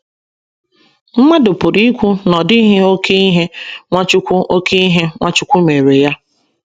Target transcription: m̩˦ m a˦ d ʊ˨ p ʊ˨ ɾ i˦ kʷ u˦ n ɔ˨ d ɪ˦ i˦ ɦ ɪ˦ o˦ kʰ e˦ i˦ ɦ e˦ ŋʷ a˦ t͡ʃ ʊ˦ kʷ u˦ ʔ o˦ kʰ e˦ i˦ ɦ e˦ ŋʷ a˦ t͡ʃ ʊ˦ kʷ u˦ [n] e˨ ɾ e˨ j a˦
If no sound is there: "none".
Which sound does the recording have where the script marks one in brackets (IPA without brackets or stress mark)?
m